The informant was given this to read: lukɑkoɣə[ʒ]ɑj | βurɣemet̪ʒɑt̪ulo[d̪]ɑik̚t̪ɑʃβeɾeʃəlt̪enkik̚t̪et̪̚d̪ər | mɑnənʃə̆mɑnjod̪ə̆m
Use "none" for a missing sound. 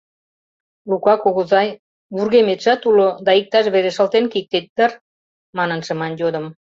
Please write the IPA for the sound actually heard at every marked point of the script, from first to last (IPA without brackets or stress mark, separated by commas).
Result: z, d̪